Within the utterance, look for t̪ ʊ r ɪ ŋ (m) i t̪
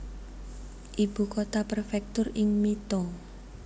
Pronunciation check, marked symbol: correct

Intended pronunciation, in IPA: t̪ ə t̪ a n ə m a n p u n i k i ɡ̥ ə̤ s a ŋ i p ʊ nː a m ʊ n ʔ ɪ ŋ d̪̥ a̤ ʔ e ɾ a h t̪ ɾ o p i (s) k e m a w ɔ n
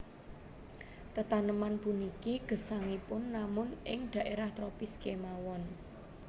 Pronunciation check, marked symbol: correct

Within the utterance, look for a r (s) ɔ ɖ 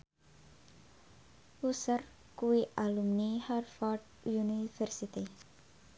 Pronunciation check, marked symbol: incorrect: f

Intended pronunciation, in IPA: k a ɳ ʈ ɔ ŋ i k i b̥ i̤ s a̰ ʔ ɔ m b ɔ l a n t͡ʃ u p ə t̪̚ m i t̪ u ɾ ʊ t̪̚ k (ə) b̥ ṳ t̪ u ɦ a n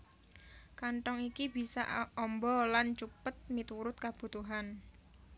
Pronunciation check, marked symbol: incorrect: a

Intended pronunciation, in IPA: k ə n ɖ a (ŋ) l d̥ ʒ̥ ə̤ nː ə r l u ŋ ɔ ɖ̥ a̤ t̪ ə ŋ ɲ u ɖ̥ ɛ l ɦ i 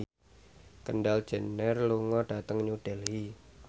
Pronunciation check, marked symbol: incorrect: none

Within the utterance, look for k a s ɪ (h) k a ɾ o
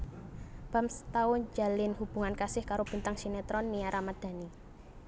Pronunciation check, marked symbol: correct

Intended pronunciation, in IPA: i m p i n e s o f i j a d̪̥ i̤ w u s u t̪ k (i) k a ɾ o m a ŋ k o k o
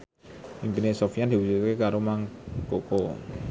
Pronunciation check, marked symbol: incorrect: e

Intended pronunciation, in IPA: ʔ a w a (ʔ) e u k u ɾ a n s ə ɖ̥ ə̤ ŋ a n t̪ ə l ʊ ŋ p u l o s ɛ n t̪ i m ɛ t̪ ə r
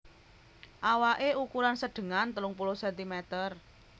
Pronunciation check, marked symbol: correct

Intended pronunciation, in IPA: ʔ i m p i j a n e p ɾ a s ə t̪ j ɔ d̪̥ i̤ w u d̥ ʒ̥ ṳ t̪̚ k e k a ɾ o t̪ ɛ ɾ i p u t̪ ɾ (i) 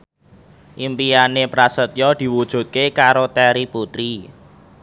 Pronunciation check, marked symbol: correct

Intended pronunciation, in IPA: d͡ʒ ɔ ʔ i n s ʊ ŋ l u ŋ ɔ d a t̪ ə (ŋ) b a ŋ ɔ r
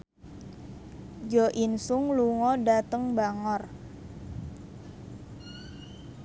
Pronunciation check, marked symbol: correct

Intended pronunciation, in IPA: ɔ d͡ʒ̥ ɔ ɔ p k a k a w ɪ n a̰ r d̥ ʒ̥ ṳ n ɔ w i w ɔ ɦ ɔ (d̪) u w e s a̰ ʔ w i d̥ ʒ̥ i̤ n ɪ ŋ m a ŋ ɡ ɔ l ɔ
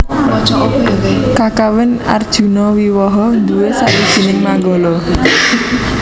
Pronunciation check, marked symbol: correct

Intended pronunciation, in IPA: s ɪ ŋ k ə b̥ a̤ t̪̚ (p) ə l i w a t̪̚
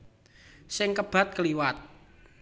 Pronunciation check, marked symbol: incorrect: k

